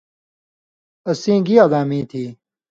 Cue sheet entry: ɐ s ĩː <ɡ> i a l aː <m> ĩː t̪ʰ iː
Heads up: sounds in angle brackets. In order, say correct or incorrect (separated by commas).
correct, correct